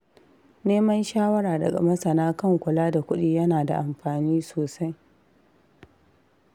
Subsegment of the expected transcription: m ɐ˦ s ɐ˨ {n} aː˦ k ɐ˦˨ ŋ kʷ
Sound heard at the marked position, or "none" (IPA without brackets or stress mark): n